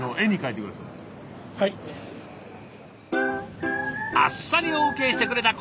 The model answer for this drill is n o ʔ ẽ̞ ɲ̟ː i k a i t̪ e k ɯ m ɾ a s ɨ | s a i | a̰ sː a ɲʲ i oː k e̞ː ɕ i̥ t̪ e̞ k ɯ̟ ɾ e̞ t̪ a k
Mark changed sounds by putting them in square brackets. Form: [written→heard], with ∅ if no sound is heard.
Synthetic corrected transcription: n o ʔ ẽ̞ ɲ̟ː i k a i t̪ e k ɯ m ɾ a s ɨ | [s→h] a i | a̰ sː a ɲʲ i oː k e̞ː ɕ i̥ t̪ e̞ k ɯ̟ ɾ e̞ t̪ a k